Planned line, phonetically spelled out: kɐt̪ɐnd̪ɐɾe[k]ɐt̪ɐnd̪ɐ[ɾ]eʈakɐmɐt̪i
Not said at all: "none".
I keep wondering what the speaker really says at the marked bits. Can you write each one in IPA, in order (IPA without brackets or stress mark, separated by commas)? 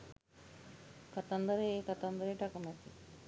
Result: k, ɾ